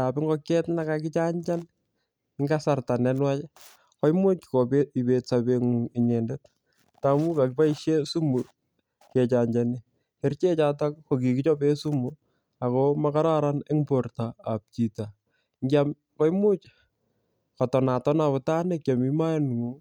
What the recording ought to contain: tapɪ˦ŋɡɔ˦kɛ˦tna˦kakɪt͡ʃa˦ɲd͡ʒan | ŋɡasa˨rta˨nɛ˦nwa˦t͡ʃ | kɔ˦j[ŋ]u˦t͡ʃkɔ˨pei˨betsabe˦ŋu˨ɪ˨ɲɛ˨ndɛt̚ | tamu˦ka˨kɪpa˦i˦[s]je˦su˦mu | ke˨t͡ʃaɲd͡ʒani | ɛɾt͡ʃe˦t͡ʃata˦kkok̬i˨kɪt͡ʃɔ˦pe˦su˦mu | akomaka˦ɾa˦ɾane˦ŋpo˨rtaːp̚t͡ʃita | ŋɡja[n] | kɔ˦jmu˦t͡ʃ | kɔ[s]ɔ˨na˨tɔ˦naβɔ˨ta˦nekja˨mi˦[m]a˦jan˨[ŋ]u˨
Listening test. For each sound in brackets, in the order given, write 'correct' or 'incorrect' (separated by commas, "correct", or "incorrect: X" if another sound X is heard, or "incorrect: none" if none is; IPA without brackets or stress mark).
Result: incorrect: m, incorrect: ʃ, incorrect: m, incorrect: t, correct, correct